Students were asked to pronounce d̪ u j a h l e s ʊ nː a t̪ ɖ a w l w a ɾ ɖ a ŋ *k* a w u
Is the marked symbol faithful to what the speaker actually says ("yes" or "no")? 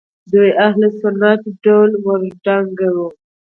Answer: no